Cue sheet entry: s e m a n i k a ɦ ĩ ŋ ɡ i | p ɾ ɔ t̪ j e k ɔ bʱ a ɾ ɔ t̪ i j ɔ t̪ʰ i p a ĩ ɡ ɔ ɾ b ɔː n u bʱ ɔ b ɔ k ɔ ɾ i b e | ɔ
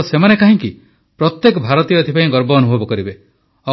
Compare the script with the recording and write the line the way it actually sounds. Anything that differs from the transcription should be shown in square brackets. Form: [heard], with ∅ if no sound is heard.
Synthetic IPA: s e m a n [e] k a ɦ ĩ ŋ [k] i | p ɾ ɔ t̪ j e k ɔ bʱ a ɾ ɔ t̪ i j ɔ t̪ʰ i p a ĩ ɡ ɔ ɾ b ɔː n u bʱ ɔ b ɔ k ɔ ɾ i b e | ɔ